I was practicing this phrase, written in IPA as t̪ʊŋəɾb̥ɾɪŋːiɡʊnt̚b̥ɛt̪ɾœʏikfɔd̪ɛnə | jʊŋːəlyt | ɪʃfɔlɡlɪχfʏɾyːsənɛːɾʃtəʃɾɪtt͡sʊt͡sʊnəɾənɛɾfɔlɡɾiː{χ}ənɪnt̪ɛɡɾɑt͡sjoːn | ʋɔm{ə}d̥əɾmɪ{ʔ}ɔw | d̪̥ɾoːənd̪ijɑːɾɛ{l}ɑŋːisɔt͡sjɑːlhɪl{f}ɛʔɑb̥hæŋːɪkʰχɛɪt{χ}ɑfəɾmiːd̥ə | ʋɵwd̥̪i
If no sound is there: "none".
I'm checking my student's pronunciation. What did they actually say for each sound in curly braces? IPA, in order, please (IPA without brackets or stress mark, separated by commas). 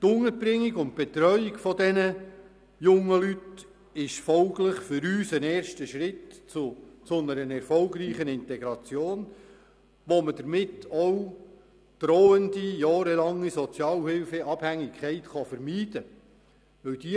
χ, ə, t, l, f, χ